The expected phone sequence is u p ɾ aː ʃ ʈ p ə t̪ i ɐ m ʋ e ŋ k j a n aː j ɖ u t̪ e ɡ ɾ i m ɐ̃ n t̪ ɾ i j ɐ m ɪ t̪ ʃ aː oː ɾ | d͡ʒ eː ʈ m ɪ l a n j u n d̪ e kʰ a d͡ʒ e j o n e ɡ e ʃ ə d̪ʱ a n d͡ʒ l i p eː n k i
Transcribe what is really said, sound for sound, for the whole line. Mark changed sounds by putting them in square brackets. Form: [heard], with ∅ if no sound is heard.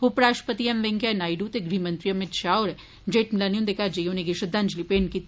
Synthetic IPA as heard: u p ɾ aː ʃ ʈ p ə t̪ i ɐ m ʋ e ŋ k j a n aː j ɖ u t̪ e ɡ ɾ i m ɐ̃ n t̪ ɾ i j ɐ m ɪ t̪ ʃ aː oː ɾ | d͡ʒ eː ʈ m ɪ l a n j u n d̪ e [k] a d͡ʒ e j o n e ɡ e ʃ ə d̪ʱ a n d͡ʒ l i p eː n k i